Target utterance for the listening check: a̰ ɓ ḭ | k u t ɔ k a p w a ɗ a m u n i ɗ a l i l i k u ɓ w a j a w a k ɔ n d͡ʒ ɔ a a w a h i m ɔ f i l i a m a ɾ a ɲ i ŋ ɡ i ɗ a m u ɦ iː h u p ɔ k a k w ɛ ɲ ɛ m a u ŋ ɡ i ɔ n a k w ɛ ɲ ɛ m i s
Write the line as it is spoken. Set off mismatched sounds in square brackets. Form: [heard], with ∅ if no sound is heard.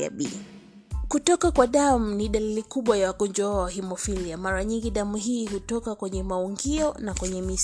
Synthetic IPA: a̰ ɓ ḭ | k u t ɔ k a [k] w a ɗ a m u n i ɗ a l i l i k u ɓ w a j a w a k ɔ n d͡ʒ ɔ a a w a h i m ɔ f i l i a m a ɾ a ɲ i ŋ ɡ i ɗ a m u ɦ iː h u [t] ɔ k a k w ɛ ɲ ɛ m a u ŋ ɡ i ɔ n a k w ɛ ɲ ɛ m i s